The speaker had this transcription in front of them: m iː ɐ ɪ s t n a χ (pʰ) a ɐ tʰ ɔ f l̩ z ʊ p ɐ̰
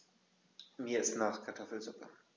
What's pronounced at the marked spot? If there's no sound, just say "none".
kʰ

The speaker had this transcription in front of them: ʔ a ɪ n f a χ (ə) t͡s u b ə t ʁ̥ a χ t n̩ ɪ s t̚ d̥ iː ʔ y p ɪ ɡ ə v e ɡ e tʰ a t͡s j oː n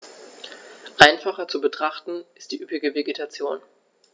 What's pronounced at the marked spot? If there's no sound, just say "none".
ɐ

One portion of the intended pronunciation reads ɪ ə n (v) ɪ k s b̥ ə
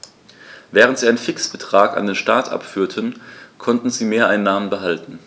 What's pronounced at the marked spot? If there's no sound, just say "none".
f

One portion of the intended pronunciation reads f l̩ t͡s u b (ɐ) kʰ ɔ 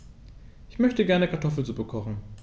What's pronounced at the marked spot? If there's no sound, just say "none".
ə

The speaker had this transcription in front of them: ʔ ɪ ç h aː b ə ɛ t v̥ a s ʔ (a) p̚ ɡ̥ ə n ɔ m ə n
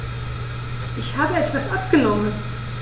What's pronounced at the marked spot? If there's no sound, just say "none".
a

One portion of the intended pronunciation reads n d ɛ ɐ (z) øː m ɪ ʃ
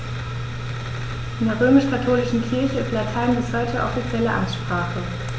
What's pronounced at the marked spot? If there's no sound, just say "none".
ʁ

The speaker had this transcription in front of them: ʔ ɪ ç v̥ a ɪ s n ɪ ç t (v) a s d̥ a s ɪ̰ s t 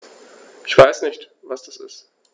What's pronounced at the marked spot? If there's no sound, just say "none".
v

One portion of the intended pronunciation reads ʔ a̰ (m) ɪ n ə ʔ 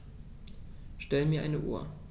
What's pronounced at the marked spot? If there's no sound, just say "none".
none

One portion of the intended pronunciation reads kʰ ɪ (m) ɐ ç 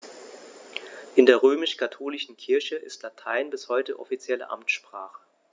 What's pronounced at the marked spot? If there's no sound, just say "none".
none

